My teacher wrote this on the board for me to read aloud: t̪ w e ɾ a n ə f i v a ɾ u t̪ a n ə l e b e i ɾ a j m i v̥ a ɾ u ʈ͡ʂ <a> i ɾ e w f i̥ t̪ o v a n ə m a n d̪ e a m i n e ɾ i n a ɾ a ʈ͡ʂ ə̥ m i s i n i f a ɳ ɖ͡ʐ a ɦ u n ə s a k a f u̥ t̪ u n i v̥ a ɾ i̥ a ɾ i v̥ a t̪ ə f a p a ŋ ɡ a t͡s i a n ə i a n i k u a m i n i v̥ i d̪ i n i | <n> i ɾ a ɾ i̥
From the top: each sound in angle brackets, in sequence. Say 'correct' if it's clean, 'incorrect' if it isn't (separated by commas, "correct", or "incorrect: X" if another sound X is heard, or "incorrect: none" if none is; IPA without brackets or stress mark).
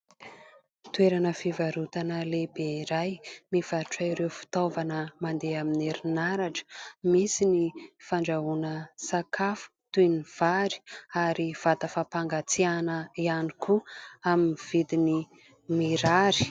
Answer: correct, incorrect: m